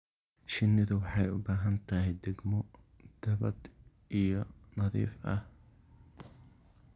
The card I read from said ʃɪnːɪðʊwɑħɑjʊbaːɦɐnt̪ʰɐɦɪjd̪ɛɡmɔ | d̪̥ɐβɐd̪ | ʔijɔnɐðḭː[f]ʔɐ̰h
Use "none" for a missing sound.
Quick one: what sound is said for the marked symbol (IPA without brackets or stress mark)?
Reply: f